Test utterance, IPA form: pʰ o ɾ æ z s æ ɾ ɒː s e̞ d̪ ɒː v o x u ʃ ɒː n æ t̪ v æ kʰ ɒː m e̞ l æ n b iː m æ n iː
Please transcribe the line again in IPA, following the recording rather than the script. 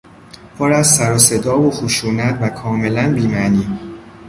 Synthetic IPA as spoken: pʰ o ɾ æ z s æ ɾ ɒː s e̞ d̪ ɒː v o x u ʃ uː n æ t̪ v æ kʰ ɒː m e̞ l æ n b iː m æ n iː